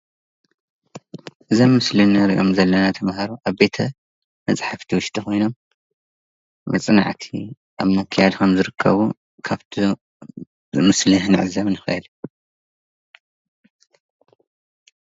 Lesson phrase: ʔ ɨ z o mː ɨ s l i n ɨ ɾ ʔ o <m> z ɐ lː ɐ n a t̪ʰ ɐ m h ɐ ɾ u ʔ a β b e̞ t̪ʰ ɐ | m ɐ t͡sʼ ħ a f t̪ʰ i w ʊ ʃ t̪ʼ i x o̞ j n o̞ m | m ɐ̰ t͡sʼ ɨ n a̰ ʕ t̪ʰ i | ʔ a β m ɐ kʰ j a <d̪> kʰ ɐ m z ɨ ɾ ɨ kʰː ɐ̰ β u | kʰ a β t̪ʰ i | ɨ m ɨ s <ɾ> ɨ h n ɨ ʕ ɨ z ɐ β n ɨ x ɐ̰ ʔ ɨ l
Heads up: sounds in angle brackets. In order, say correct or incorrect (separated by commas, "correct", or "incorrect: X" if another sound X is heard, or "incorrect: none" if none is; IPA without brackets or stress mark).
correct, correct, incorrect: l